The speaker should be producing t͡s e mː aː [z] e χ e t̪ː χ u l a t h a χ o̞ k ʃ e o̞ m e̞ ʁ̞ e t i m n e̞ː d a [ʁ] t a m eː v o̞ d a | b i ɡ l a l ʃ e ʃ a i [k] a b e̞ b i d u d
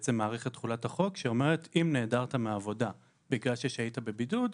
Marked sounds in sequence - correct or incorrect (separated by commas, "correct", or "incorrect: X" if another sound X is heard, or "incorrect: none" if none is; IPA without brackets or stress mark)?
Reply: incorrect: ʁ, correct, incorrect: t